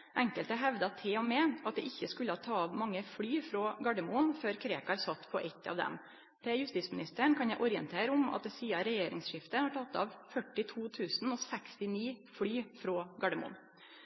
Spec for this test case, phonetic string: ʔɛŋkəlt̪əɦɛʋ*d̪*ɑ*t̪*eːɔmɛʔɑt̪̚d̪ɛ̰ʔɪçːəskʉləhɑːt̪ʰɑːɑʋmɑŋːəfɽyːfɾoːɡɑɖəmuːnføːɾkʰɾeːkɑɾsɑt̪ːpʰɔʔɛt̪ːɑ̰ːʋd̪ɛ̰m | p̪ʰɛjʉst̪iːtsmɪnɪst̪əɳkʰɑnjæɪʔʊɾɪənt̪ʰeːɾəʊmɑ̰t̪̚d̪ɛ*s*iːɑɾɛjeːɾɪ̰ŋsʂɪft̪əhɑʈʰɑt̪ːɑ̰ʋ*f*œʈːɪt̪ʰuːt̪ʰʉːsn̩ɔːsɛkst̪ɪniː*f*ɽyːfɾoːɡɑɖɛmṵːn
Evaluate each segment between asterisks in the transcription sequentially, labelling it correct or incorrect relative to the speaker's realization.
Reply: correct, incorrect, correct, correct, correct

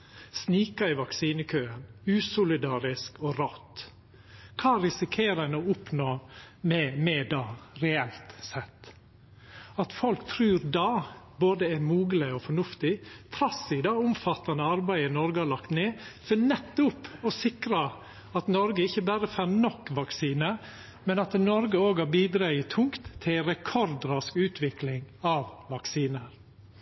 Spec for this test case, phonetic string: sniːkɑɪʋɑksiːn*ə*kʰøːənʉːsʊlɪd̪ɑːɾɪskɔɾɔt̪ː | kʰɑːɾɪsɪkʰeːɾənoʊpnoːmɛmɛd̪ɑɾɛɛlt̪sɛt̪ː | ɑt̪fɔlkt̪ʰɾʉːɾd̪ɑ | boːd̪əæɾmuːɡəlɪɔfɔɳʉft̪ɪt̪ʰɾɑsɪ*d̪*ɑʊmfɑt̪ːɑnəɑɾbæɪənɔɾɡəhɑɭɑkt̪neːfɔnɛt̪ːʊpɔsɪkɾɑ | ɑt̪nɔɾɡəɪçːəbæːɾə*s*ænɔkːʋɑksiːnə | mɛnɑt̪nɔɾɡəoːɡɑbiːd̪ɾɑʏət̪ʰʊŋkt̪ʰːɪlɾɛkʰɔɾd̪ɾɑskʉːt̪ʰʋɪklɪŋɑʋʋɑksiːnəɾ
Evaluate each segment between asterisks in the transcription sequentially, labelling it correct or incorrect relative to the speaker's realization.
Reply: correct, correct, incorrect

